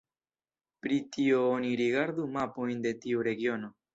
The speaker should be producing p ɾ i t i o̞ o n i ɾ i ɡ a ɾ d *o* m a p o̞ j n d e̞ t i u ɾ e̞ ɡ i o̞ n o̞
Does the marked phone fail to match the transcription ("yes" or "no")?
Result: yes